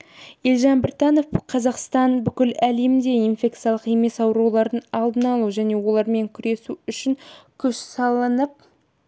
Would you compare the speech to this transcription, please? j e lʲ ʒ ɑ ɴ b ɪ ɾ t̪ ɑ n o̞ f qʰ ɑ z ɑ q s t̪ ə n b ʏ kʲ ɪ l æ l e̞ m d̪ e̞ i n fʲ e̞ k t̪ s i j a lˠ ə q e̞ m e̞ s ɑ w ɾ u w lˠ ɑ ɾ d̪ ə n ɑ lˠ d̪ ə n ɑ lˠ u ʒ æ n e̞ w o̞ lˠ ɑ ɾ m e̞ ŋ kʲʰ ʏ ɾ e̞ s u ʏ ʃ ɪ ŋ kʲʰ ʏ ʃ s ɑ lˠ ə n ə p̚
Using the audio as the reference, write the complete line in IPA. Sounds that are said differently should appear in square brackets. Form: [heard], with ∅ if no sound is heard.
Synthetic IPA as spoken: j e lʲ ʒ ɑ [n] b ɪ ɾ t̪ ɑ n o̞ f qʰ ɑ z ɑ q s t̪ [ɑ] n b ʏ kʲ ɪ l æ l e̞ m d̪ e̞ i n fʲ e̞ k t̪ s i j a lˠ ə q e̞ m e̞ s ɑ w ɾ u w lˠ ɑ ɾ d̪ ə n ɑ lˠ d̪ ə n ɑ lˠ u ʒ æ n e̞ w o̞ lˠ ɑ ɾ m e̞ ŋ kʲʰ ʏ ɾ e̞ s u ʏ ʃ ɪ ŋ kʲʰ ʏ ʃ s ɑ lˠ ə n ə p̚